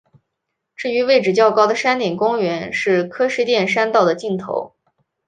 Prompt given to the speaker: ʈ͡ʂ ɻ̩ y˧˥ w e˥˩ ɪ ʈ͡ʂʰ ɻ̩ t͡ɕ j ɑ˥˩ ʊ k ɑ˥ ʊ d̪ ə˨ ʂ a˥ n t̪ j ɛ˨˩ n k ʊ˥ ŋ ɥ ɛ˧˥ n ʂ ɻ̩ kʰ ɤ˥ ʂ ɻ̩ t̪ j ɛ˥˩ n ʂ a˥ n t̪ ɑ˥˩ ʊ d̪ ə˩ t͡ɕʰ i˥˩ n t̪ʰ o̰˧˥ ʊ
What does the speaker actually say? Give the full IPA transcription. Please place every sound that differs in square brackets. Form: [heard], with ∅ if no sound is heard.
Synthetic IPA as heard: ʈ͡ʂ ɻ̩ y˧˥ w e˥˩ ɪ [ʈ͡ʂ] ɻ̩ t͡ɕ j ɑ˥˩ ʊ k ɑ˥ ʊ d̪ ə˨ ʂ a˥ n t̪ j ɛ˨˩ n k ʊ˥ ŋ ɥ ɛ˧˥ n ʂ ɻ̩ kʰ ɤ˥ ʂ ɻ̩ t̪ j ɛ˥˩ n ʂ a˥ n t̪ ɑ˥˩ ʊ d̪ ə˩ [t͡ɕ] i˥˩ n t̪ʰ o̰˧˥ ʊ